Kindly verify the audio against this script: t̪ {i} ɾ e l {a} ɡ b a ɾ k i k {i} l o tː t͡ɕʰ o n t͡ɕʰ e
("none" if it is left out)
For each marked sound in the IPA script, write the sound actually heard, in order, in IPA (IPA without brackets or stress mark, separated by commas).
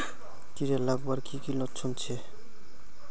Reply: i, a, i